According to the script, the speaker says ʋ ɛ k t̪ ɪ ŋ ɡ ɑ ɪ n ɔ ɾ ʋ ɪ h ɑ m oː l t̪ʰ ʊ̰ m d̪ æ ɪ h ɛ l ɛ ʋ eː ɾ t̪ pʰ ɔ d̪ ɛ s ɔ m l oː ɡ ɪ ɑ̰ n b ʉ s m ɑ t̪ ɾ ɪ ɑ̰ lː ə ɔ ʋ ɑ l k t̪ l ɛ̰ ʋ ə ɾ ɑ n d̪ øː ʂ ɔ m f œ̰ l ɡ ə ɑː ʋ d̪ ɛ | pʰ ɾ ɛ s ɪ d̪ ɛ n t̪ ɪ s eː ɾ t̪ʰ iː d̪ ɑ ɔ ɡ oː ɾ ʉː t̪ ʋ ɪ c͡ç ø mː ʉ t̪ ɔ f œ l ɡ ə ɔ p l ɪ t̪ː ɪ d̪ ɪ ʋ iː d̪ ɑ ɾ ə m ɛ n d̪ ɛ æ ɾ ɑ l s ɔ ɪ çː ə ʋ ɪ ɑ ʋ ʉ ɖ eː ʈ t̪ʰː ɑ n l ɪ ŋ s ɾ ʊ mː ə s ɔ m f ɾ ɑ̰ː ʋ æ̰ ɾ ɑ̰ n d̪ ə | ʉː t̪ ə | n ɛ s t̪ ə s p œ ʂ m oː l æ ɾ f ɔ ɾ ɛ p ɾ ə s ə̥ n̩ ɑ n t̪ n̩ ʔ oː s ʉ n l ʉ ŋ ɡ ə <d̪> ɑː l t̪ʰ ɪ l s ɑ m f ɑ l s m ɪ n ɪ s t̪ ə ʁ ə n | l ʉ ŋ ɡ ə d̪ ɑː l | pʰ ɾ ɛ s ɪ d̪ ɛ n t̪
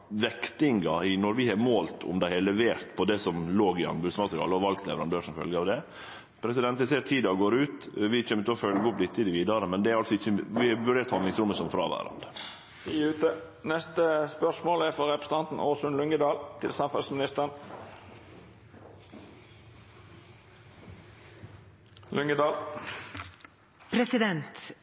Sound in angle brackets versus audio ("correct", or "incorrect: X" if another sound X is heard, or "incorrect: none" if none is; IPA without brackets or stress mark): correct